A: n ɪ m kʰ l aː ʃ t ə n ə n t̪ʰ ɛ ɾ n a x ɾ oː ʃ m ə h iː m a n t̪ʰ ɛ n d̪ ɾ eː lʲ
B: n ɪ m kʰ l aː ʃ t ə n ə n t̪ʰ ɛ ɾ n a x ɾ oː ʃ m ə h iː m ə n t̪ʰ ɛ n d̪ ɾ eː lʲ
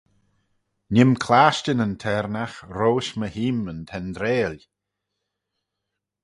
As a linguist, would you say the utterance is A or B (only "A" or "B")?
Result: B